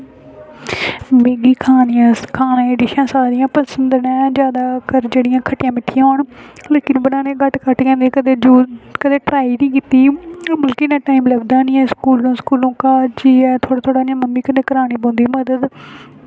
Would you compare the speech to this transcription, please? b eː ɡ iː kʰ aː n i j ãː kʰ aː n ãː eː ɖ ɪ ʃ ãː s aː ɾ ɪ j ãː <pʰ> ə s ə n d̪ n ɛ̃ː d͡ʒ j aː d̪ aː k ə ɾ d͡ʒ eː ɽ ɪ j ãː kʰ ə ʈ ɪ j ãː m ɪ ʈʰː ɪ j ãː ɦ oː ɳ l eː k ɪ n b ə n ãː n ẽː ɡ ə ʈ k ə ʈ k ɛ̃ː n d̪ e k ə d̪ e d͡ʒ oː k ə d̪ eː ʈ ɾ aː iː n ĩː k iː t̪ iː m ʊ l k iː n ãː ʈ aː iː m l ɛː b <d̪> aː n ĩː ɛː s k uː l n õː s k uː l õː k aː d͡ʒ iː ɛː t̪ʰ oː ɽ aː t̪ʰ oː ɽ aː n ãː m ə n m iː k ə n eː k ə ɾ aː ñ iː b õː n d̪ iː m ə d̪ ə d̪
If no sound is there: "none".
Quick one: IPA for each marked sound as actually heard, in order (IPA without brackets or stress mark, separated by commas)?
p, d̪